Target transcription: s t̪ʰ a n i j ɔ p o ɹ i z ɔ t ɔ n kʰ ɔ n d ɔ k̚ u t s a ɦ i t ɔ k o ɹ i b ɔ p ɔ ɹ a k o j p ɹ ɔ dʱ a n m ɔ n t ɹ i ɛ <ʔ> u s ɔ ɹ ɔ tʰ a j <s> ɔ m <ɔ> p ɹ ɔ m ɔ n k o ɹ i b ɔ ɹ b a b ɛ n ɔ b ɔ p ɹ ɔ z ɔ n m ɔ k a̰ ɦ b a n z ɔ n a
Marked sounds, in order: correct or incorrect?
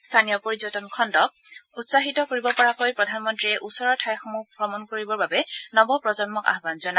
correct, incorrect, incorrect

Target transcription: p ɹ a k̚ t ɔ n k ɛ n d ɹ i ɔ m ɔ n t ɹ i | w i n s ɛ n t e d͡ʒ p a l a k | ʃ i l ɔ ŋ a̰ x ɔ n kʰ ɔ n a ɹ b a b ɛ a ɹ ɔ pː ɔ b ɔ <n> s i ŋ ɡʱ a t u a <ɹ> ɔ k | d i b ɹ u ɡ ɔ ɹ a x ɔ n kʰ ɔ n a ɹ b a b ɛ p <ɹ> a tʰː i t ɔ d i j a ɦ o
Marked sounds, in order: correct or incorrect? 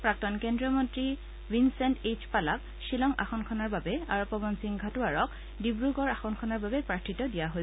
correct, correct, correct

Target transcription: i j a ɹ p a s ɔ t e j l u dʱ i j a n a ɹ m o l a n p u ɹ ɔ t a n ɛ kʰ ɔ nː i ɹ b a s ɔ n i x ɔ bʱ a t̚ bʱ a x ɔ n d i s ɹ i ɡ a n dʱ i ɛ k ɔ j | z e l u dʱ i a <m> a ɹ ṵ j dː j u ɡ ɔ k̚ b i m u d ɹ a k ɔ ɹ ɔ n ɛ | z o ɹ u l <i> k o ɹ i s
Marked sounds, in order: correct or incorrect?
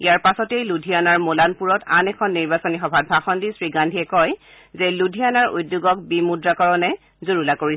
incorrect, incorrect

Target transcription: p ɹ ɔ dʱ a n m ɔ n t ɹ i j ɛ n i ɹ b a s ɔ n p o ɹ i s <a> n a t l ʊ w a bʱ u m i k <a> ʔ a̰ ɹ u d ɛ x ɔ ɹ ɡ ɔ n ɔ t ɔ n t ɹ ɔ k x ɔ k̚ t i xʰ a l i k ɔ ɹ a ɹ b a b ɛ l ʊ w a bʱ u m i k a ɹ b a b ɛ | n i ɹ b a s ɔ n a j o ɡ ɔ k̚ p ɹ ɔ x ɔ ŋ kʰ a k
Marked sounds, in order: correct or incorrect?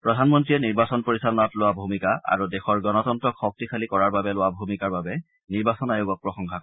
correct, correct

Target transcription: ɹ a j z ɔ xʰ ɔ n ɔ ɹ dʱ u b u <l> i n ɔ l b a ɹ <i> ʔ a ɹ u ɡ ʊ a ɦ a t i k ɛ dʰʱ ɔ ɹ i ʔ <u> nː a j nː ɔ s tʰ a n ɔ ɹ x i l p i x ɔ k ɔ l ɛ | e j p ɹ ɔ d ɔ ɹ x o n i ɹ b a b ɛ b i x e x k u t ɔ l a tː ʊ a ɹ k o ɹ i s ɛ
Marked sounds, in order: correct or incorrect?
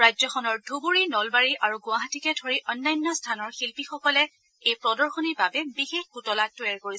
incorrect, correct, incorrect

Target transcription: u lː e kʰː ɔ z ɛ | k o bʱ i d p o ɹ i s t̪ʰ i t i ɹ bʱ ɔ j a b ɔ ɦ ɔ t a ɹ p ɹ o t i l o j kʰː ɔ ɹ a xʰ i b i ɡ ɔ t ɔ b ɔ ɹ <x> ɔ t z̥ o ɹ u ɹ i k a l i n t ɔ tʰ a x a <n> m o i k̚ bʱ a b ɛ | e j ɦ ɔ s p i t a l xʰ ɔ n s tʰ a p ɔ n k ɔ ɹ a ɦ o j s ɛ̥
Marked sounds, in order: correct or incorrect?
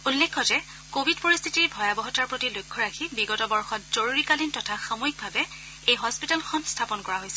correct, incorrect

